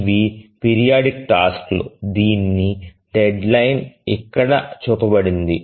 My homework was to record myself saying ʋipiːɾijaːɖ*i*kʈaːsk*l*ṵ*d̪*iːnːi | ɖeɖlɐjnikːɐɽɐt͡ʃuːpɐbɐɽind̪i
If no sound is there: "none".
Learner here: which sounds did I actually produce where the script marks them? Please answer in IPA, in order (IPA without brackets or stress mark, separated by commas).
i, l, d̪